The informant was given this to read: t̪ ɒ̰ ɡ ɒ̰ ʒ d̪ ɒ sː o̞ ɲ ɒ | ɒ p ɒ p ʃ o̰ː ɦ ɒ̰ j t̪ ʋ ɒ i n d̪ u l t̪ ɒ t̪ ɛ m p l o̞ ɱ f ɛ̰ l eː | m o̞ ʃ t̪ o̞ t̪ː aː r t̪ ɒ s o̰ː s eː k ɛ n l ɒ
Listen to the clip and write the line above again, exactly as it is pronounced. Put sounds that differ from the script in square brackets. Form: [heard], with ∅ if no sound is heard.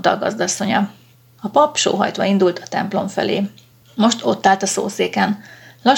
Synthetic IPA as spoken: t̪ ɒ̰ ɡ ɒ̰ [z] d̪ ɒ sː o̞ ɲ ɒ | ɒ p ɒ p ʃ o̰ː ɦ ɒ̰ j t̪ ʋ ɒ i n d̪ u l t̪ ɒ t̪ ɛ m p l o̞ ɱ f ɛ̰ l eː | m o̞ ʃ t̪ o̞ t̪ː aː [l] t̪ ɒ s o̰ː s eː k ɛ n l ɒ